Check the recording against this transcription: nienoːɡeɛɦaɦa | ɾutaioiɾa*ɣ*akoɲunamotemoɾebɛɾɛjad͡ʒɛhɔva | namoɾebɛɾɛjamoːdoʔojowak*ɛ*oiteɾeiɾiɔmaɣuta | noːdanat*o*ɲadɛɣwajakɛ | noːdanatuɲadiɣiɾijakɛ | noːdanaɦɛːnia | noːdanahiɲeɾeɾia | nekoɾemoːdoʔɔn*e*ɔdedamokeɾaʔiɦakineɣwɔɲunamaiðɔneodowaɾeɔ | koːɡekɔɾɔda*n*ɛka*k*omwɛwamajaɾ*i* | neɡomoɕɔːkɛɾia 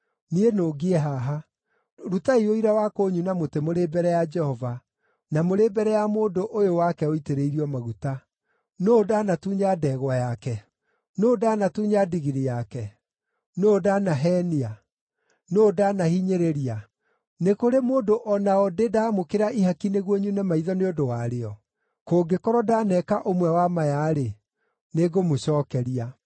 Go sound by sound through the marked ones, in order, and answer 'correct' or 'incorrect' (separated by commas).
incorrect, correct, incorrect, incorrect, correct, incorrect, incorrect